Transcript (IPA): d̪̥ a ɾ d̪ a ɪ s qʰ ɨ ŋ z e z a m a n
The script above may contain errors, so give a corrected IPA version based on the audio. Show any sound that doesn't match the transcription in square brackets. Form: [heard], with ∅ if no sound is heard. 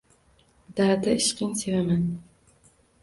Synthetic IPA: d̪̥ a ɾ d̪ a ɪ [ʃ] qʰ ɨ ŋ [s] e [v] a m a n